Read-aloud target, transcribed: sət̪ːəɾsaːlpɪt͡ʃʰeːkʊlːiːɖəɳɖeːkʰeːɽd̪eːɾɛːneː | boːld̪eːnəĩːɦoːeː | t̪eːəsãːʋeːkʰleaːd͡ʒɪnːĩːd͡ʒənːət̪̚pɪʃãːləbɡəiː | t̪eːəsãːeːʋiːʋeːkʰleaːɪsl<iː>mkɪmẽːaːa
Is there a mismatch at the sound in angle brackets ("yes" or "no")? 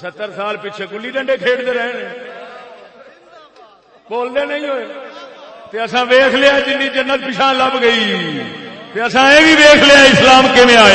yes